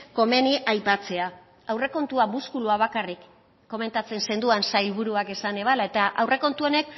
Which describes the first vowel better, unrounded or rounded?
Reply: rounded